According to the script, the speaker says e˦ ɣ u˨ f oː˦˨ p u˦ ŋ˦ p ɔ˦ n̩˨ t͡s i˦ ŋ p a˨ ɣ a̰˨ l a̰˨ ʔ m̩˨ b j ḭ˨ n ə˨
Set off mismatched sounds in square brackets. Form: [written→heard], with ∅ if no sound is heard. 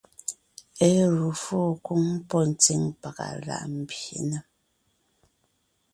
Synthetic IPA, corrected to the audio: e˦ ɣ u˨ f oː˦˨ [p→k] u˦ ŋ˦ p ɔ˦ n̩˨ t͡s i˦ ŋ p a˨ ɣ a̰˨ l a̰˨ ʔ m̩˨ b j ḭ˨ n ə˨